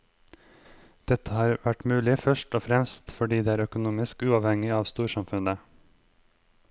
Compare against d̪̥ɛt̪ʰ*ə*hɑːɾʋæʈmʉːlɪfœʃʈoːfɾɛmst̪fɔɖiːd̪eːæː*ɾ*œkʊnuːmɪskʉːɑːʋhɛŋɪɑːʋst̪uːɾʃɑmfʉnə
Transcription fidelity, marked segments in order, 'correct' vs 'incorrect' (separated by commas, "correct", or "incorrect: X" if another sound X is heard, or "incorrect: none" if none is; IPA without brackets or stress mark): correct, correct